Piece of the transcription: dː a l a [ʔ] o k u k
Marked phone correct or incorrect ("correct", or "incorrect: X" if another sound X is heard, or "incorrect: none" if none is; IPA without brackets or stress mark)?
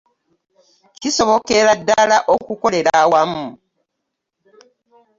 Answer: correct